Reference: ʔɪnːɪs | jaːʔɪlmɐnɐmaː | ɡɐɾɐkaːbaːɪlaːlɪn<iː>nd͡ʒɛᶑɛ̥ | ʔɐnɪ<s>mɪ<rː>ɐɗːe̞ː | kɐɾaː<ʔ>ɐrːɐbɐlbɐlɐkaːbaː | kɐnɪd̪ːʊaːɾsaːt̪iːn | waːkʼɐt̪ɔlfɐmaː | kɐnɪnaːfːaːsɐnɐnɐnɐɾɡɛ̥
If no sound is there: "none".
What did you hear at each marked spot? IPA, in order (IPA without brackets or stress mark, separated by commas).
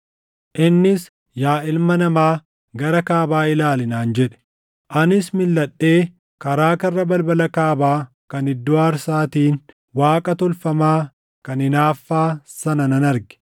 aː, s, lː, k